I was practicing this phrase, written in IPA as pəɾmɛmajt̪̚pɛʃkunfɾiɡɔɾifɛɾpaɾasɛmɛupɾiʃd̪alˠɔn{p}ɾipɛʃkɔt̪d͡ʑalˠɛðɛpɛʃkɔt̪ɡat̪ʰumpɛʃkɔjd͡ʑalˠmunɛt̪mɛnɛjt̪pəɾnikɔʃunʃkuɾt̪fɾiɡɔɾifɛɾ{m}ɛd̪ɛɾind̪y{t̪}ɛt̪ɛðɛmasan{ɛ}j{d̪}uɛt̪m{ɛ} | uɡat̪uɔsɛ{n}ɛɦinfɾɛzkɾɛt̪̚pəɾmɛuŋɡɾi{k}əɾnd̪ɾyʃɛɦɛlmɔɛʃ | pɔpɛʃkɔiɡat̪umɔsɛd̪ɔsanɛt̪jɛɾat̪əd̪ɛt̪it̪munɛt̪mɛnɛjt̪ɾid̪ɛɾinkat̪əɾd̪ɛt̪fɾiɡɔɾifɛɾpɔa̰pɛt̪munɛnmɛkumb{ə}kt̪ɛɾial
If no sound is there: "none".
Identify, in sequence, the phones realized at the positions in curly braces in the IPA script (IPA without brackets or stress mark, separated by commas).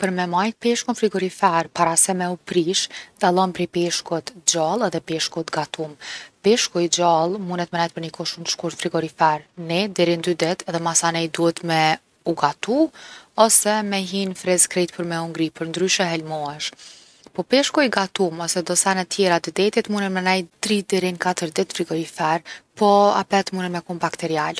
p, n, d̪, ɛ, d̪, ɛ, m, p, a